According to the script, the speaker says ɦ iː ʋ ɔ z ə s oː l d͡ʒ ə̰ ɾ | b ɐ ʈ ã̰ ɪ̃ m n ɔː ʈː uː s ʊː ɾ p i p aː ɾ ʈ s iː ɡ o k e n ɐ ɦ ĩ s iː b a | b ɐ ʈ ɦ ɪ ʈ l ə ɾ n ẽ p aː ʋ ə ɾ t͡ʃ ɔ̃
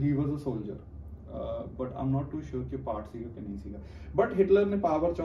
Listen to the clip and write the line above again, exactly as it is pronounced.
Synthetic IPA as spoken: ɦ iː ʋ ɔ z ə s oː l d͡ʒ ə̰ ɾ | b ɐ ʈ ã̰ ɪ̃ m n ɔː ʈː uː ʃ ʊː ɾ k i p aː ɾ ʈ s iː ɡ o k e n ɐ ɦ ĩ s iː ɡ a | b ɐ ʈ ɦ ɪ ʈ l ə ɾ n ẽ p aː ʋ ə ɾ t͡ʃ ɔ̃